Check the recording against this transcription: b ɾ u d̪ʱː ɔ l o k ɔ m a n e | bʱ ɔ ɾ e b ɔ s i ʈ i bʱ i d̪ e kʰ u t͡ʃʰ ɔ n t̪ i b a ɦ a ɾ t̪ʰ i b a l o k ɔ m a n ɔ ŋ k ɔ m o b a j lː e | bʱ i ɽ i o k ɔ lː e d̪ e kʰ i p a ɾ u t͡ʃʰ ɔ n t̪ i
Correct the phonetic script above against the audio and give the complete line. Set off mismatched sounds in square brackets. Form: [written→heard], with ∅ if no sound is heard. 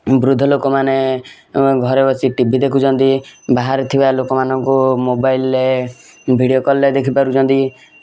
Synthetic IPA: b ɾ u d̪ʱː ɔ l o k ɔ m a n e | [bʱ→ɡʱ] ɔ ɾ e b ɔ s i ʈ i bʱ i d̪ e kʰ u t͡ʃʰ ɔ n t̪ i b a ɦ a ɾ t̪ʰ i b a l o k ɔ m a n ɔ ŋ k [ɔ→u] m o b a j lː e | bʱ i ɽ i o k ɔ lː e d̪ e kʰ i p a ɾ u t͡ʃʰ ɔ n t̪ i